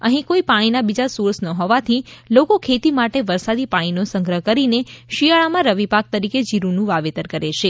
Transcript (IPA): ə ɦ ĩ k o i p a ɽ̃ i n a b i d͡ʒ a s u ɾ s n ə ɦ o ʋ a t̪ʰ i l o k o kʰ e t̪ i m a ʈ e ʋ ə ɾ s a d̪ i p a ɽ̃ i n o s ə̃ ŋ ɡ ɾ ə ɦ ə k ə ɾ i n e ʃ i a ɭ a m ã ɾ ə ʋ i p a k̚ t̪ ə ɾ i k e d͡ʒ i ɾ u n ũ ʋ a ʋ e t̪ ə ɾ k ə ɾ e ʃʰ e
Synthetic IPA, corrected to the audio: ə ɦ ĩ k o i p a ɽ̃ i n a b i d͡ʒ a s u ɾ s n ə ɦ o ʋ a t̪ʰ i l o k o kʰ e t̪ i m a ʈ e ʋ ə ɾ s a d̪ i p a ɽ̃ i n o s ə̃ ŋ ɡ ɾ ə ɦ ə k ə ɾ i n e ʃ i a ɭ a m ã ɾ ə ʋ i p a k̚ t̪ ə ɾ i k e d͡ʒ i ɾ u n ũ ʋ a ʋ e t̪ ə ɾ k ə ɾ e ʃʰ e